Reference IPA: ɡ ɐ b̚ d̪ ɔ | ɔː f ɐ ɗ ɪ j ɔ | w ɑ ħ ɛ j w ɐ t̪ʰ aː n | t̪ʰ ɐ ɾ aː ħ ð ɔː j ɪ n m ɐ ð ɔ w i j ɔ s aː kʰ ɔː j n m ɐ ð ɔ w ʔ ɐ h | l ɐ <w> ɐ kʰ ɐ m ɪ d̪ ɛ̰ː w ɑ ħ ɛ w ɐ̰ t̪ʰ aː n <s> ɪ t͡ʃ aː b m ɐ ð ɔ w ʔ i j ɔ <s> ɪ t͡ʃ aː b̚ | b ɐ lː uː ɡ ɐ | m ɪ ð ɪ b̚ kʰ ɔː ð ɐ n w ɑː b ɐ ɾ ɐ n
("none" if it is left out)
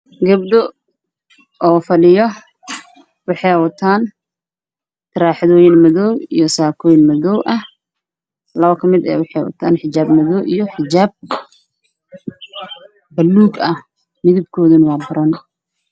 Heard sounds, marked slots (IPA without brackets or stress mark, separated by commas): β, ħ, ħ